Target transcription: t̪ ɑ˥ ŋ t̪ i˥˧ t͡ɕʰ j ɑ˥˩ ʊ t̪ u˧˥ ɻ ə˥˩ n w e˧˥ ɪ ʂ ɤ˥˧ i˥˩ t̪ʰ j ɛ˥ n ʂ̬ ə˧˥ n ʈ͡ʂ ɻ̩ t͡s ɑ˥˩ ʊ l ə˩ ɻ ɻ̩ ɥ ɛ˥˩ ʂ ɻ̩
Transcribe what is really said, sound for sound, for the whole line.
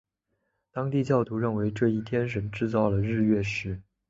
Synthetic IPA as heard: t̪ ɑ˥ ŋ t̪ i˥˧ t͡ɕ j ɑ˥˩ ʊ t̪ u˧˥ ɻ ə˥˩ n w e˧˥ ɪ ʈ͡ʂ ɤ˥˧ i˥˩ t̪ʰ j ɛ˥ n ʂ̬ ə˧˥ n ʈ͡ʂ ɻ̩ t͡s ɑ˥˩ ʊ l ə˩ ɻ ɻ̩ ɥ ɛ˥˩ ʂ ɻ̩